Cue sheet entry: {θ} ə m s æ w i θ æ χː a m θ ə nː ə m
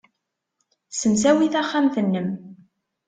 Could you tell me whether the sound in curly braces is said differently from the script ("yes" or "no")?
yes